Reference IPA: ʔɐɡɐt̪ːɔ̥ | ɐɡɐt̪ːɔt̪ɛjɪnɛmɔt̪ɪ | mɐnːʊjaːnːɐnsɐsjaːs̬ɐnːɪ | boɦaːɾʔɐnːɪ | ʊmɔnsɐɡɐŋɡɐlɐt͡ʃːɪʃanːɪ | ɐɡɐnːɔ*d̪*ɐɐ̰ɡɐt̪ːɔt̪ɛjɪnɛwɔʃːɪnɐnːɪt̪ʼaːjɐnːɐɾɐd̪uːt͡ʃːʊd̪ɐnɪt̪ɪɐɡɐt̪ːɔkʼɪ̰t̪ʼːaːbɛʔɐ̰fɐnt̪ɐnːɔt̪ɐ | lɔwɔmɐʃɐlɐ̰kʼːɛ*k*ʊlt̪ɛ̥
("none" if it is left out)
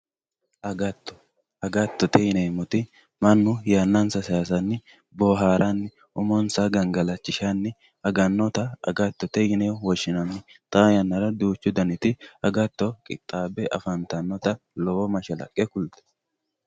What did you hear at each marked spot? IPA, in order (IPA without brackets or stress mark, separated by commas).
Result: t̪, k